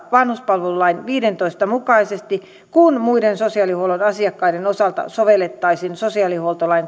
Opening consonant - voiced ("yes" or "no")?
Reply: yes